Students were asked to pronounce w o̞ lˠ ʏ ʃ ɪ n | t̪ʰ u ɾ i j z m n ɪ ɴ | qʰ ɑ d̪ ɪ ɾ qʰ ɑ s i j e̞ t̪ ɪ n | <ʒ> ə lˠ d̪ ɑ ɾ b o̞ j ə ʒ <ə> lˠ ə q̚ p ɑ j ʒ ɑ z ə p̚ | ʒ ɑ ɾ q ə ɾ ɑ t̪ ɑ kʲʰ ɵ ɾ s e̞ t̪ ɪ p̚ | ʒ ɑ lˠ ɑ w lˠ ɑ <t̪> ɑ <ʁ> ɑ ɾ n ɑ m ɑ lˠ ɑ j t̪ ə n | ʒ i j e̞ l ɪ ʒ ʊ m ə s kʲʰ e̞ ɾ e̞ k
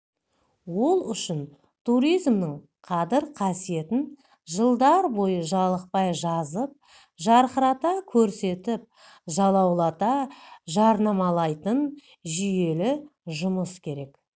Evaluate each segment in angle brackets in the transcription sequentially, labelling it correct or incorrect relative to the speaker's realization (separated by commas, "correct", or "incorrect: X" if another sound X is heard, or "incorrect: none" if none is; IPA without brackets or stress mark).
correct, incorrect: ɑ, correct, incorrect: ʒ